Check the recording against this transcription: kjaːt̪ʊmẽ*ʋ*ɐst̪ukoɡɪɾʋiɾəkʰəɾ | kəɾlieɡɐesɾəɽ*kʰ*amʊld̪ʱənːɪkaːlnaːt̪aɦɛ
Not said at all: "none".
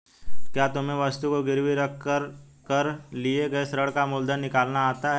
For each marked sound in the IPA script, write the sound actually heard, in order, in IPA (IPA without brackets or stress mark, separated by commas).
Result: ʋ, k